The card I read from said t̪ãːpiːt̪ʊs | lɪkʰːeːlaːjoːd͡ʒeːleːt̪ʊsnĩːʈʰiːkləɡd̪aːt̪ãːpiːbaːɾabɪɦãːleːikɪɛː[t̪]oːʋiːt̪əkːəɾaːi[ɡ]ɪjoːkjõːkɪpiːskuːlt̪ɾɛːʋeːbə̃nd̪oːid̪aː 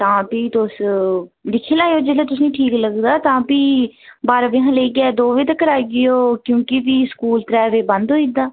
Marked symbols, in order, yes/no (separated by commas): no, yes